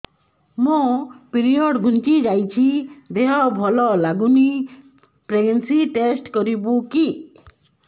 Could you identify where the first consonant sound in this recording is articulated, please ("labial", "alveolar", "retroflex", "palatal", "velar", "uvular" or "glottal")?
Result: labial